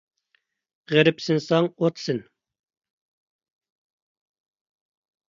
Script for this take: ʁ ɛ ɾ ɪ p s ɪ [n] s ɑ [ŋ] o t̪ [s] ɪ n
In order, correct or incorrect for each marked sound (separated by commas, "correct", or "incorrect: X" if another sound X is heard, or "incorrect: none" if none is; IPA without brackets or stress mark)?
correct, correct, correct